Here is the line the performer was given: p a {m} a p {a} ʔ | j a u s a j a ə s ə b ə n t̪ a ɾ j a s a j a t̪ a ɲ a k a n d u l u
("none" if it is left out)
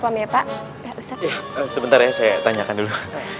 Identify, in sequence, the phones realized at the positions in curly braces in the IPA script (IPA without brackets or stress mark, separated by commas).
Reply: m, a